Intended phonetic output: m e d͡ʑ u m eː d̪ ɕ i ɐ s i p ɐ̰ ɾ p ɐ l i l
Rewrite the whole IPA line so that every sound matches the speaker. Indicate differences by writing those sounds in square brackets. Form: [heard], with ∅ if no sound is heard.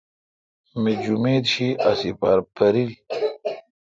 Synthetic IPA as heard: m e d͡ʑ u m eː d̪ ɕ i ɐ s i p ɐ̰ ɾ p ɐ [ɾ] i l